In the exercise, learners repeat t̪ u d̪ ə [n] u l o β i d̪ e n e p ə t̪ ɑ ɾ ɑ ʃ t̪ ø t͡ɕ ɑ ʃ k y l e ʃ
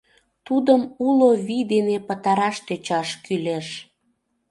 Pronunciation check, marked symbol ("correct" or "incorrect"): incorrect